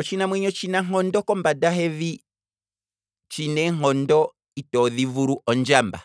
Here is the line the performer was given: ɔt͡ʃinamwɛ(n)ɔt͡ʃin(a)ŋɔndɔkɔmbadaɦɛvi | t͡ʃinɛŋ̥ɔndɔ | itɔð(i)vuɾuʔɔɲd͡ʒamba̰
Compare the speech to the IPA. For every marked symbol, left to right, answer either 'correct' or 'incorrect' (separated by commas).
incorrect, correct, correct